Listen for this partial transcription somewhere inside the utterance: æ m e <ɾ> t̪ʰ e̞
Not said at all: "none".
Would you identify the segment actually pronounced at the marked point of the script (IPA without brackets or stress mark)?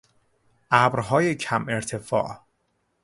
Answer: ɾ